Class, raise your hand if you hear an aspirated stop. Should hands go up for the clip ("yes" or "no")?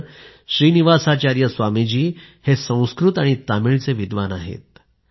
no